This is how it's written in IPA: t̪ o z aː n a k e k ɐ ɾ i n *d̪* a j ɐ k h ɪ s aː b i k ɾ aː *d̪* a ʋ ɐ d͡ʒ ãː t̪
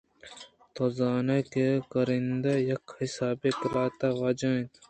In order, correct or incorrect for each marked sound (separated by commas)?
correct, incorrect